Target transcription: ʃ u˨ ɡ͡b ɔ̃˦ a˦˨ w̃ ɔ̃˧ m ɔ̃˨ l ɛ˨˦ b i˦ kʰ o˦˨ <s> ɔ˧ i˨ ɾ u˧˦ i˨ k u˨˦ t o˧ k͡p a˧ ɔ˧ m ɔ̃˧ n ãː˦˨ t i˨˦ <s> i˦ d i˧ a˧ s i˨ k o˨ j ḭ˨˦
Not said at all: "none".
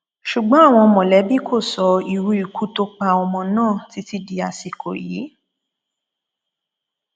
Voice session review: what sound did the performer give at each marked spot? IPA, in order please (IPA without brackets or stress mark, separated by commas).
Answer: s, t